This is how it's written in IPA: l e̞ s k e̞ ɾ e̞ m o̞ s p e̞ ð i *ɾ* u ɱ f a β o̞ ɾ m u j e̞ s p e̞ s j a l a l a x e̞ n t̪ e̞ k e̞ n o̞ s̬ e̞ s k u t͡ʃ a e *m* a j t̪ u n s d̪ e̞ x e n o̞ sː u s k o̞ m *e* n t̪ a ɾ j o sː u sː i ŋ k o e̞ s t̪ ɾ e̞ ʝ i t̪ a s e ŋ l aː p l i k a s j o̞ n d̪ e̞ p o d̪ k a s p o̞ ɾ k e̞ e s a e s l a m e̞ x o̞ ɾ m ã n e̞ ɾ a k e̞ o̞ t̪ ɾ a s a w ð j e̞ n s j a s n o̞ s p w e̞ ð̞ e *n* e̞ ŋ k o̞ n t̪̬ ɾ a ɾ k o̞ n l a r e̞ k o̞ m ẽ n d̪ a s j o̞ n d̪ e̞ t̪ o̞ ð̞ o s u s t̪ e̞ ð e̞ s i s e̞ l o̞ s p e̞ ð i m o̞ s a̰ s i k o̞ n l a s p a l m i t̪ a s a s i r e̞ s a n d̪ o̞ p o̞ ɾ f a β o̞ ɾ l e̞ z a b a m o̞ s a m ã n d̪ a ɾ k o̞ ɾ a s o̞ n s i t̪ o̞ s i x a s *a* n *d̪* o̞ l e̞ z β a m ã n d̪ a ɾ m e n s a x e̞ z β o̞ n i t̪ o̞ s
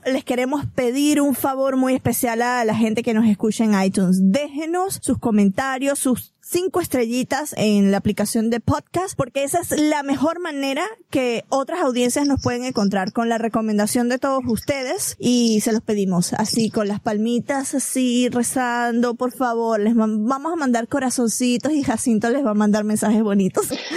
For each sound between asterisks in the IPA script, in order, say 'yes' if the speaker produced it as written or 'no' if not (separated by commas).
yes, no, no, no, no, no